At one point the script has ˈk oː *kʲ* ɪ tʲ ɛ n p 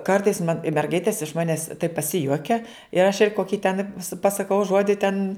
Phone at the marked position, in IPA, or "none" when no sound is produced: kʲ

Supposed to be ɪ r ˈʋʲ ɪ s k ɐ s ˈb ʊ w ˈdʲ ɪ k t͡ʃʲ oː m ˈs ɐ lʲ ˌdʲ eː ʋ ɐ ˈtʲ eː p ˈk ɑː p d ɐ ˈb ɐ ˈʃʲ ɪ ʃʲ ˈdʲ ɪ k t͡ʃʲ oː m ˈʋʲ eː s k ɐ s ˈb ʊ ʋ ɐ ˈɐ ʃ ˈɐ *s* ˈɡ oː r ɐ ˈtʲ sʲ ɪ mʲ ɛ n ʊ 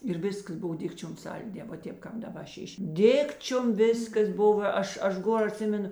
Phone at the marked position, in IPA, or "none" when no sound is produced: ʃ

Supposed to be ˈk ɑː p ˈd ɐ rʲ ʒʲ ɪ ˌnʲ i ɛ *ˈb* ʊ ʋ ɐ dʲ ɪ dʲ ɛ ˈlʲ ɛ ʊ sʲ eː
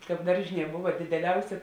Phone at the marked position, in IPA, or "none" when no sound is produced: b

